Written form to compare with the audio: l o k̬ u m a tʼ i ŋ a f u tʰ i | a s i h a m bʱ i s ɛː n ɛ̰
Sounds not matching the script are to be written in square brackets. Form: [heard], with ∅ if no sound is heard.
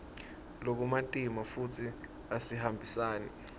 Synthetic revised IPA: l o k̬ u m a tʼ i [m] a f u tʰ i | a s i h a m bʱ i s [aː] n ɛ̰